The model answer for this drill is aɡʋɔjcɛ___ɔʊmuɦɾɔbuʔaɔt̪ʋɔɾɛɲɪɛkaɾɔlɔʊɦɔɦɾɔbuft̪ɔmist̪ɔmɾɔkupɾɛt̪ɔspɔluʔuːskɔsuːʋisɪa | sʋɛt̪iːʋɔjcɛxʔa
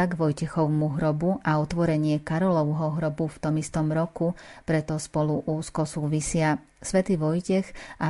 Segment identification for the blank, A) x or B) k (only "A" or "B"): A